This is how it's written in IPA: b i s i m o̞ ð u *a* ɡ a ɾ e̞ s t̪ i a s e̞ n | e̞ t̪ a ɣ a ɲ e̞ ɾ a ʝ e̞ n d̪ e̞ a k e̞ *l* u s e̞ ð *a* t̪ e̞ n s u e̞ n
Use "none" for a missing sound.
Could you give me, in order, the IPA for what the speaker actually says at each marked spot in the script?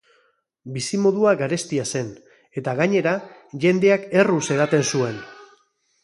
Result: a, r, a

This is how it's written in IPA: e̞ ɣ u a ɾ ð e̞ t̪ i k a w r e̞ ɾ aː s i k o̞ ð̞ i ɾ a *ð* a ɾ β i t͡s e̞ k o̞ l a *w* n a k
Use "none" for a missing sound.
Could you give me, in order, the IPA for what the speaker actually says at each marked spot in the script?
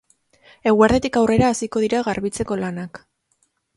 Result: ɣ, none

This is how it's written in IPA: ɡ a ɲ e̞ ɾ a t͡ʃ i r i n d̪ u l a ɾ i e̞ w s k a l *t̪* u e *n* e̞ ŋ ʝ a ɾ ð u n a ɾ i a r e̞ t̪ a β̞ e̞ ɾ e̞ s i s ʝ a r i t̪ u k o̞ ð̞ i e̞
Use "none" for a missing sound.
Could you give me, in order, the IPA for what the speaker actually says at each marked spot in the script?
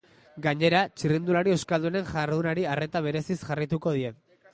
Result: d̪, n

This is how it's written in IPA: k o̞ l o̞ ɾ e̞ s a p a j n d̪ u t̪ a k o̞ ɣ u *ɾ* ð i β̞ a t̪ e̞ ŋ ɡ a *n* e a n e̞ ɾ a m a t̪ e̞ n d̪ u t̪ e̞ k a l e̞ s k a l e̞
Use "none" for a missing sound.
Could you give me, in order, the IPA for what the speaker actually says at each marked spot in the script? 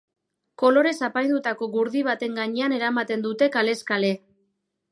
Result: ɾ, ɲ

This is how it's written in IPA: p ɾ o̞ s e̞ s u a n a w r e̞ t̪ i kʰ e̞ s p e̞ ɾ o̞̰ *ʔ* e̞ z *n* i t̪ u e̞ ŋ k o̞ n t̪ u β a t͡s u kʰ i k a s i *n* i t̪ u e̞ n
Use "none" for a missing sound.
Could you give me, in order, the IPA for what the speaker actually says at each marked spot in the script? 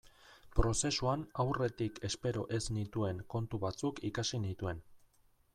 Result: ʔ, n, n

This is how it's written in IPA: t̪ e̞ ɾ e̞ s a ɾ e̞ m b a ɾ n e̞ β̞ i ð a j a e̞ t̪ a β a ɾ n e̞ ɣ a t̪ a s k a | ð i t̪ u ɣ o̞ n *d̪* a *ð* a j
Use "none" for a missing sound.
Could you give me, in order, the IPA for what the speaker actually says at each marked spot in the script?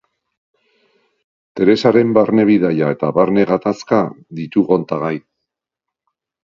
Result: t̪, ɣ

